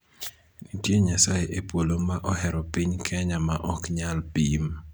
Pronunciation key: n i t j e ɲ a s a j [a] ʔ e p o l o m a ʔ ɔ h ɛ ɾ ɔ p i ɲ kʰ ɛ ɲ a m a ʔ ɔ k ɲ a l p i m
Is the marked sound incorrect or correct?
incorrect